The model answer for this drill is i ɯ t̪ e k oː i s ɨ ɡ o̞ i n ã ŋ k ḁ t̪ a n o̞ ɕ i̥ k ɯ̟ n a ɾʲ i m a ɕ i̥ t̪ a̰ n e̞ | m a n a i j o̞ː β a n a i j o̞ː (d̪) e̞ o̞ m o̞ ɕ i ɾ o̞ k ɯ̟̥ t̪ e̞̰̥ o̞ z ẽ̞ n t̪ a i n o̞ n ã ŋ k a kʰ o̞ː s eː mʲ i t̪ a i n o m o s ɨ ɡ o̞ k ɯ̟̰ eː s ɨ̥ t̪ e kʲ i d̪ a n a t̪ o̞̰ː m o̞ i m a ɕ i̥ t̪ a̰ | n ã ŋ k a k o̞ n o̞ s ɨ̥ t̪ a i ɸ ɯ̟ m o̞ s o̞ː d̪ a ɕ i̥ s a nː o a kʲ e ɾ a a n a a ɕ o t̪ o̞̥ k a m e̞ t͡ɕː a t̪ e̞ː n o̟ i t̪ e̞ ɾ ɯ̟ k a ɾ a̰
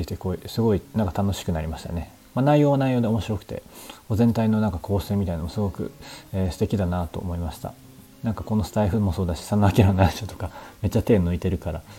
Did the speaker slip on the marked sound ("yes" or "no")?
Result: no